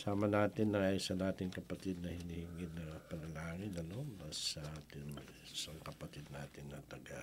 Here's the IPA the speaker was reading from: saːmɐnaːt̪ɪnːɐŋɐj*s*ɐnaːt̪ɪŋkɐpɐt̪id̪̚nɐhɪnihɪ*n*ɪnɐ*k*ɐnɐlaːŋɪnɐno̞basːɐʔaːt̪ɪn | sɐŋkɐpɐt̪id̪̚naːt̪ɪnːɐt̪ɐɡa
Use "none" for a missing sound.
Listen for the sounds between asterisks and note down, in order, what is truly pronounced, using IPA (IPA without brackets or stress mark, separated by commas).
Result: s, ŋ, p